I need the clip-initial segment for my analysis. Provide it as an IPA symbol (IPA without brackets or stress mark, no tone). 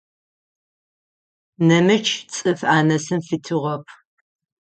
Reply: n